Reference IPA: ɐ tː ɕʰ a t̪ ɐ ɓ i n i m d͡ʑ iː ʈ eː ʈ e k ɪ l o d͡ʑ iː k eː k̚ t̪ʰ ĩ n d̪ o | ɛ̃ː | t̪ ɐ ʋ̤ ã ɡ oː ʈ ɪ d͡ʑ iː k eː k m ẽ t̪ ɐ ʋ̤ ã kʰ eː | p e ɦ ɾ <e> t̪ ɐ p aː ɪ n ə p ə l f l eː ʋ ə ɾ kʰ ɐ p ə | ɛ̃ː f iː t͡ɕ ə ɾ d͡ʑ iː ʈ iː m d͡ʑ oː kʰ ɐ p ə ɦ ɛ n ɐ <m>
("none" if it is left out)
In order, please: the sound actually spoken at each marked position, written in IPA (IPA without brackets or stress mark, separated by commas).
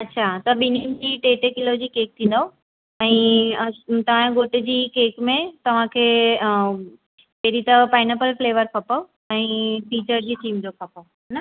i, none